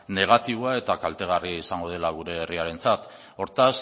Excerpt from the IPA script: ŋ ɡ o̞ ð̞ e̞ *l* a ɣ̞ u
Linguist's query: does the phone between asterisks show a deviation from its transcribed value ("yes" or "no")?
no